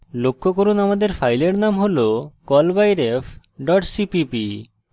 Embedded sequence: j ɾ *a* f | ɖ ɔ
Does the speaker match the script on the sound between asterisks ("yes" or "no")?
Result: no